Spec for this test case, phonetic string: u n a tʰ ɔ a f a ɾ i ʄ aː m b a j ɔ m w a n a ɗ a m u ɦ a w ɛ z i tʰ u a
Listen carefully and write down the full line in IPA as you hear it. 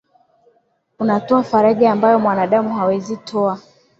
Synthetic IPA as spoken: u n a t ɔ a f a ɾ a ʄ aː m b a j ɔ m w a n a ɗ a m u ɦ a w ɛ z i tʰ ɔ a

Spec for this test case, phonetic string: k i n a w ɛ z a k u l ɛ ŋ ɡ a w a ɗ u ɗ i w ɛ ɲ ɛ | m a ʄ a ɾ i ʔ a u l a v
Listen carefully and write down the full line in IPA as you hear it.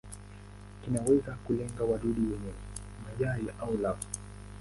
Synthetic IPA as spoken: k i n a w ɛ z a k u l ɛ ŋ ɡ a w a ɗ u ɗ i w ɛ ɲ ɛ | m a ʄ a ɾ i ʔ a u l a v

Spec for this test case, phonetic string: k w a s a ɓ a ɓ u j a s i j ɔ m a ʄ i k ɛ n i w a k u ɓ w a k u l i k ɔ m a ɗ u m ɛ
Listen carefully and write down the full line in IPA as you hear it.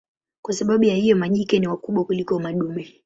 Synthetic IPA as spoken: k w a s a ɓ a ɓ u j a h i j ɔ m a ʄ i k ɛ n i w a k u ɓ w a k u l i k ɔ m a ɗ u m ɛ

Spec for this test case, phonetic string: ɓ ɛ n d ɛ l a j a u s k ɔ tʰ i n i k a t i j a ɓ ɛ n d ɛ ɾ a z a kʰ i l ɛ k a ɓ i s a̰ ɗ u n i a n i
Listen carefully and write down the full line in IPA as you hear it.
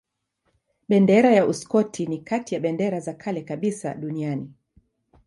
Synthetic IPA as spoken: ɓ ɛ n d ɛ ɾ a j a u s k ɔ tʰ i n i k a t i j a ɓ ɛ n d ɛ ɾ a z a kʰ a l ɛ k a ɓ i s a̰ ɗ u n i a n i

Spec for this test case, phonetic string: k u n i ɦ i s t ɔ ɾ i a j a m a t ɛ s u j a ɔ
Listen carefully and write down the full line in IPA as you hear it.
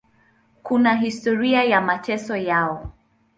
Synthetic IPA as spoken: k u n a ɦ i s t ɔ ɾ i a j a m a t ɛ s ɔ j a ɔ

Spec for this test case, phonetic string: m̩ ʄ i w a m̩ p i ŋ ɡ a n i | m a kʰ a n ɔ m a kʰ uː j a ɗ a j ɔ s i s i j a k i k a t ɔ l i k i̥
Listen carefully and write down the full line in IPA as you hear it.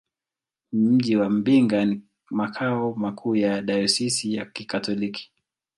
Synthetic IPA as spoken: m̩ ʄ i w a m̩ b i ŋ ɡ a n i | m a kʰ a ɔ m a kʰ uː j a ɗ a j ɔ s i s i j a k i k a t ɔ l i k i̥

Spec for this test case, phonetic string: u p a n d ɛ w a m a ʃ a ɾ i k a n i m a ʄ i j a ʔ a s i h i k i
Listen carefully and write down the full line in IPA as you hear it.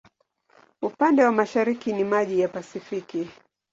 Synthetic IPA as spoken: u p a n d ɛ w a m a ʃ a ɾ i k i n i m a ʄ i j a p a s i f i k i

